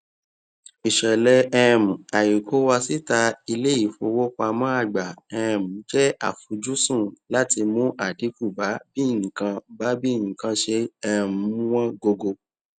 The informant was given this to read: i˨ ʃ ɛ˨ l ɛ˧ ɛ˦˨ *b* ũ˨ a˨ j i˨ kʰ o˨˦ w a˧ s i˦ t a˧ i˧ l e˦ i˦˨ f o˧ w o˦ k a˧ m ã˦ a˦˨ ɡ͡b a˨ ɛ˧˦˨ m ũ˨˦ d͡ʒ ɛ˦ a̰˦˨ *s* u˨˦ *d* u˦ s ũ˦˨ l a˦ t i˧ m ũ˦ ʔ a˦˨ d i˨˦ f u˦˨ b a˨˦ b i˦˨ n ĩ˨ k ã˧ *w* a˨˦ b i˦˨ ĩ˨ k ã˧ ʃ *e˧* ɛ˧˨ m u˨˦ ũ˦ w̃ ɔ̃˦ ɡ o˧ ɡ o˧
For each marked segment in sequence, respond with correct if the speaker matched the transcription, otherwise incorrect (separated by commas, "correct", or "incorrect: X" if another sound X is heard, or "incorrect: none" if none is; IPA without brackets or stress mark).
incorrect: m, incorrect: f, incorrect: d͡ʒ, incorrect: b, correct